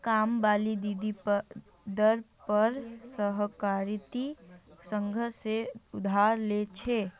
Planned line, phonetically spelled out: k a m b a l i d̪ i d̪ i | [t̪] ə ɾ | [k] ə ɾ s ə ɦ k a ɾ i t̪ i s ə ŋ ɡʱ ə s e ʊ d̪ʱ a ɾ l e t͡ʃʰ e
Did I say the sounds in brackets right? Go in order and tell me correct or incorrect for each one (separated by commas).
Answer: incorrect, incorrect